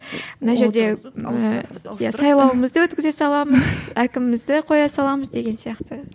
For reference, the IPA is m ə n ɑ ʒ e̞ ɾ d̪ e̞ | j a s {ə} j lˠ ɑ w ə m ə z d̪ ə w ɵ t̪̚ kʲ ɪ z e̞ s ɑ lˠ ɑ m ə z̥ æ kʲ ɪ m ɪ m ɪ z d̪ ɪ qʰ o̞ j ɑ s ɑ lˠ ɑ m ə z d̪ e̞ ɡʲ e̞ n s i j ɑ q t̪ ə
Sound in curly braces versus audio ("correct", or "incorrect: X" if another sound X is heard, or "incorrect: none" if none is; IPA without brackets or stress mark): incorrect: ɑ